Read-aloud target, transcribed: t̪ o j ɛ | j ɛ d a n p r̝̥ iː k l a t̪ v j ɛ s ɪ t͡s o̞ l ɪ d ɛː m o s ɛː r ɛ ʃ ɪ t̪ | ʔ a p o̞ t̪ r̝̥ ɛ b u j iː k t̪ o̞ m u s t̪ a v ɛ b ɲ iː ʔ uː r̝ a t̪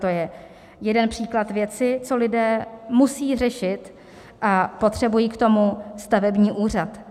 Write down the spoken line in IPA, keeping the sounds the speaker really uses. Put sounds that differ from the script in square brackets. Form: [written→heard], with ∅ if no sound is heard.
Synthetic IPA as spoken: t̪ o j ɛ | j ɛ d [a→ɛ] n p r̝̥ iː k l a t̪ v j ɛ [s→t͡s] ɪ t͡s o̞ l ɪ d ɛː m [o→u] s [ɛː→iː] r ɛ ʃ ɪ t̪ | ʔ a p o̞ t̪ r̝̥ ɛ b u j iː k t̪ o̞ m u s t̪ a v ɛ b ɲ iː ʔ uː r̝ a t̪